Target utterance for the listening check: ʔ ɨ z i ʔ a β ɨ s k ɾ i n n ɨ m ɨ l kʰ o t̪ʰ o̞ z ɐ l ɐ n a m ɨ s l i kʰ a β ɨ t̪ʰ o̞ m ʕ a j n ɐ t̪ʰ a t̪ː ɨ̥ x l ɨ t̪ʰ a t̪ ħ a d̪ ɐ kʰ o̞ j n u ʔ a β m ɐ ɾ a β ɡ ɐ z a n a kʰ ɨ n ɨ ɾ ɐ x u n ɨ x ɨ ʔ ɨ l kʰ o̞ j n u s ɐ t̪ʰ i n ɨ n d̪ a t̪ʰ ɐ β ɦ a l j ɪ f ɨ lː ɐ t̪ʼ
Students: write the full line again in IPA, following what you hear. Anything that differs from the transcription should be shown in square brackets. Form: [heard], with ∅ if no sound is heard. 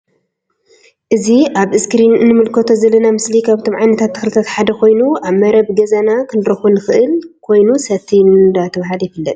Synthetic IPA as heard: ʔ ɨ z i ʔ a β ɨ s k ɾ i n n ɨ m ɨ l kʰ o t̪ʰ o̞ z ɐ l ɐ n a m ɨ s l i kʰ a β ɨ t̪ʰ o̞ m ʕ a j n ɐ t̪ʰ a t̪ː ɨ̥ x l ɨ t̪ʰ a t̪ ħ a d̪ ɐ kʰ o̞ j n u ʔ a β m ɐ ɾ [ɐ] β ɡ ɐ z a n a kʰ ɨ n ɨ ɾ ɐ x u n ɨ x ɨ ʔ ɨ l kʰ o̞ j n u s ɐ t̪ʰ i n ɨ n d̪ a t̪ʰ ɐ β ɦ a l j ɪ f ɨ lː ɐ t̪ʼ